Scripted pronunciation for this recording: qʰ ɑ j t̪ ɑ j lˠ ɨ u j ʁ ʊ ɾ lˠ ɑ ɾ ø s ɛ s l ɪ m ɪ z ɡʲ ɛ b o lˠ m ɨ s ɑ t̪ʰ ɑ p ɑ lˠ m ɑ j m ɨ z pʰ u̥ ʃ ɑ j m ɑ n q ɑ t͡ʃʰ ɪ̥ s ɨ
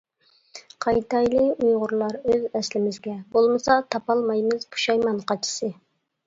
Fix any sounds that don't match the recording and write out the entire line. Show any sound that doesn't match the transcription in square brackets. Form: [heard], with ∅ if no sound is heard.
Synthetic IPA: qʰ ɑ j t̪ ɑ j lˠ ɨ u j ʁ ʊ ɾ lˠ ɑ ɾ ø [z] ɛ s l ɪ m ɪ z ɡʲ ɛ b o lˠ m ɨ s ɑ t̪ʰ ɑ p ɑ lˠ m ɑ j m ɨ z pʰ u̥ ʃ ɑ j m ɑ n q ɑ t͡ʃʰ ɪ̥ s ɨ